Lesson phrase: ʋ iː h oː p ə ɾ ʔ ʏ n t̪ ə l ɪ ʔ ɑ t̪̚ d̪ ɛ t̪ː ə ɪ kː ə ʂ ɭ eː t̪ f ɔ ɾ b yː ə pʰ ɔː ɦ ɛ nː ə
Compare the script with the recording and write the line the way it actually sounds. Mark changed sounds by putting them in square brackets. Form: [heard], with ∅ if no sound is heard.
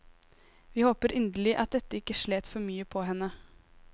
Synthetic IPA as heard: ʋ iː h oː p ə ɾ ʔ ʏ n [d̪] ə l ɪ ʔ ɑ t̪̚ d̪ ɛ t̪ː ə ɪ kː ə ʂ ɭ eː t̪ f ɔ ɾ [m] yː ə pʰ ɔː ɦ ɛ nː ə